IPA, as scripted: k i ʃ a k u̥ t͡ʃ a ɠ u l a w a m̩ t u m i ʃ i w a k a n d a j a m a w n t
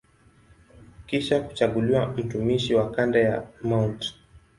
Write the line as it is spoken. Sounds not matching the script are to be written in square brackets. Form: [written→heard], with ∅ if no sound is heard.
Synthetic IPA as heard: k i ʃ a k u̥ t͡ʃ a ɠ u l [a→i] w a m̩ t u m i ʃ i w a k a n d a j a m a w n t